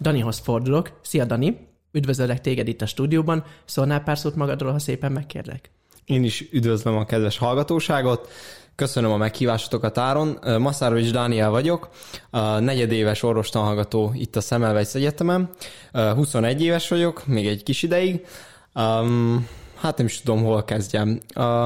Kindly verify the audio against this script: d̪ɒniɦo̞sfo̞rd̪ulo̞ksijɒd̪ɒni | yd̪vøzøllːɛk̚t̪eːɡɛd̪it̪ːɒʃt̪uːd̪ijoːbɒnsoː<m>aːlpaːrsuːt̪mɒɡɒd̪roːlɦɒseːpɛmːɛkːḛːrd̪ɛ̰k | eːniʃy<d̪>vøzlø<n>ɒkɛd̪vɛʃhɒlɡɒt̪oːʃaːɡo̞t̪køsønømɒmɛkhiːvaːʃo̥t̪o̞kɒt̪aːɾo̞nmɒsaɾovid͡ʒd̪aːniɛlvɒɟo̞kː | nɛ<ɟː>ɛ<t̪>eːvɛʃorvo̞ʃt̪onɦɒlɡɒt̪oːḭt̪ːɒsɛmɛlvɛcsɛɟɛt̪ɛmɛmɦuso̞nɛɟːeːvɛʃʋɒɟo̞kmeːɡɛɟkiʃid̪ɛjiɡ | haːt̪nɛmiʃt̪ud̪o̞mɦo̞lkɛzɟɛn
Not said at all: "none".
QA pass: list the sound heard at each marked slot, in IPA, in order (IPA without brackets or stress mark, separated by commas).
n, d̪, m, ɟ, d̪